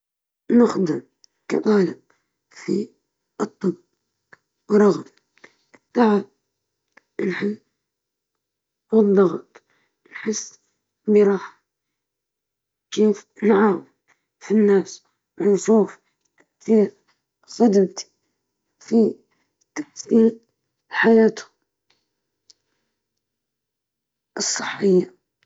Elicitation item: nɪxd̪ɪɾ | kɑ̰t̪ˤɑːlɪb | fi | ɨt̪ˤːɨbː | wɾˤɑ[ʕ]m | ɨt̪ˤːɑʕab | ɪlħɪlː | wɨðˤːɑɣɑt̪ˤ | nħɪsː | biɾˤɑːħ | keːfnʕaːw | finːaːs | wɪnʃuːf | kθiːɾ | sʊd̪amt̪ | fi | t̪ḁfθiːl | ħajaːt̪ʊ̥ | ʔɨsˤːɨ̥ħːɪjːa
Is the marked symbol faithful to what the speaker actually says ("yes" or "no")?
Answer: no